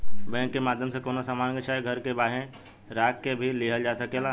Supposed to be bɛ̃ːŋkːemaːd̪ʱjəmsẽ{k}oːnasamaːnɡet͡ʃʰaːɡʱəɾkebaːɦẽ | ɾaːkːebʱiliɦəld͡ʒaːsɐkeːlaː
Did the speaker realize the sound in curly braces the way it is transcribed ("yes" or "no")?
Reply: yes